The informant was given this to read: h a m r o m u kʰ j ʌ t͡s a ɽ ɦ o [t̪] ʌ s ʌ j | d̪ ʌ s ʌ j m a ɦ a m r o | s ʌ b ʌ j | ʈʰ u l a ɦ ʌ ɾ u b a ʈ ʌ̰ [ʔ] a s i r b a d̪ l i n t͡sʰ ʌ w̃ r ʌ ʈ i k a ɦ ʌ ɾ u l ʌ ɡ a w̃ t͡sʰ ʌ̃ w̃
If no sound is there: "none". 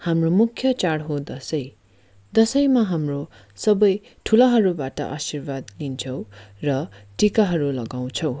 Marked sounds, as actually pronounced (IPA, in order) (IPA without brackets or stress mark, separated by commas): d̪, ʔ